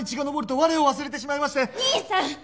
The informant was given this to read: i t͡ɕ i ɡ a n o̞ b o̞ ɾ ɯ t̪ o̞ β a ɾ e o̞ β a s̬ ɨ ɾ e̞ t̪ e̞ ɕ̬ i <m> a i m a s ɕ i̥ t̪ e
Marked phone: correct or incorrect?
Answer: correct